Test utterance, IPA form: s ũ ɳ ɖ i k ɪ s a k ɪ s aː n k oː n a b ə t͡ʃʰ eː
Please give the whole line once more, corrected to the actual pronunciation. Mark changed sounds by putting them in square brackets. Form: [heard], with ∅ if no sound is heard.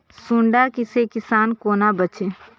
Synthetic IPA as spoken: s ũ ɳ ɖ [a] k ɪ s [e] k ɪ s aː n k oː n a b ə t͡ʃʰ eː